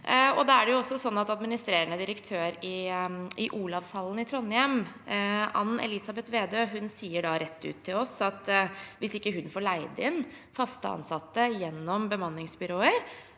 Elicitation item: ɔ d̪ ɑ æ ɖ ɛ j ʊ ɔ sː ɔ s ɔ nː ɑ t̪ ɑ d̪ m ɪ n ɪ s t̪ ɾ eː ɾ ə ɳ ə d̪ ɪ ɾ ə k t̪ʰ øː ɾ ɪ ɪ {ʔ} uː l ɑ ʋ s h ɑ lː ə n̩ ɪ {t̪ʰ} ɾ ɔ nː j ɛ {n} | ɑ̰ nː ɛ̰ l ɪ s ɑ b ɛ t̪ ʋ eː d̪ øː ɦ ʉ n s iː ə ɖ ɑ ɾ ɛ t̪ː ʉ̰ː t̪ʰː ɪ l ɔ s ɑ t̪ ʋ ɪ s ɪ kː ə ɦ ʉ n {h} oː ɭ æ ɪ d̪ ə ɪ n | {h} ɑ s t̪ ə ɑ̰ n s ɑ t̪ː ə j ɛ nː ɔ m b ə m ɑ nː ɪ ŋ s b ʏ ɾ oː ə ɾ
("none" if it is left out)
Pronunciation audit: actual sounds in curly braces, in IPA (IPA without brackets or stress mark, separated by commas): ʔ, t̪ʰ, m, f, f